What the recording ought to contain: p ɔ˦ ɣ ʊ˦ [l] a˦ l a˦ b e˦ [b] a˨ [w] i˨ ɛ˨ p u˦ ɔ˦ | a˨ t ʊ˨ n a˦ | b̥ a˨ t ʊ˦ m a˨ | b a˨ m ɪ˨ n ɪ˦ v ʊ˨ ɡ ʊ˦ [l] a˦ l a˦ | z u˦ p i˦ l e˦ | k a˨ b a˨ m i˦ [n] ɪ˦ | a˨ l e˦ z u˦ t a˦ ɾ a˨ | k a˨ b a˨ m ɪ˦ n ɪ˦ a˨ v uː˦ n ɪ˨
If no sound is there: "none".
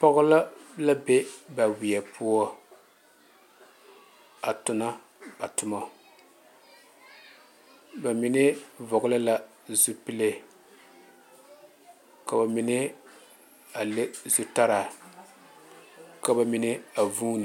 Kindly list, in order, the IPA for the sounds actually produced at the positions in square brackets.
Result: l, b, w, l, n

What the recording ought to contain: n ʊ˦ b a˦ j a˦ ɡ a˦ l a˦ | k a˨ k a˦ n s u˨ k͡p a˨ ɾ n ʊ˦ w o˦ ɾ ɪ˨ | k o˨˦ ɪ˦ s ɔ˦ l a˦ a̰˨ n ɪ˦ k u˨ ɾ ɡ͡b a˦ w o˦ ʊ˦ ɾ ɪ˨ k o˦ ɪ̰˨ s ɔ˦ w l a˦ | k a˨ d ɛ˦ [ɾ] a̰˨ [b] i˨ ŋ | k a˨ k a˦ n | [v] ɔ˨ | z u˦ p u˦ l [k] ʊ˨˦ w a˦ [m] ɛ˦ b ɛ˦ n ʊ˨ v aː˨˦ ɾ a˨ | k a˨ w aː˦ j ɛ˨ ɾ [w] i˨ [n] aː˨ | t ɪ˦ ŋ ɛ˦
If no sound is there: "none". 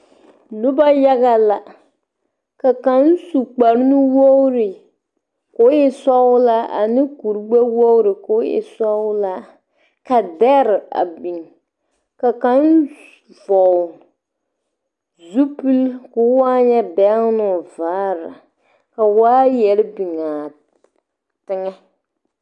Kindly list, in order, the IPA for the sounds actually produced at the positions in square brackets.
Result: ɾ, b, v, k, ɲ, b, ŋ

